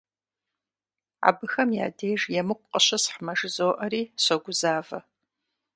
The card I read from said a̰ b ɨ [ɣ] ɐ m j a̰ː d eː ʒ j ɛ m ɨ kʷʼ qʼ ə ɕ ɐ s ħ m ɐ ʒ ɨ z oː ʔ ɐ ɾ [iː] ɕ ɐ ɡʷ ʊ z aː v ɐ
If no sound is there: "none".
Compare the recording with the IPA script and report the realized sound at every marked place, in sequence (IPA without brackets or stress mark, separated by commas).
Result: x, iː